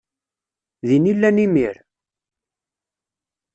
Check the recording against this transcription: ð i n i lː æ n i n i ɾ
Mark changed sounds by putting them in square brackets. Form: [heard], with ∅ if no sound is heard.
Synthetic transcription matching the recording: ð i n i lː æ n i [m] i ɾ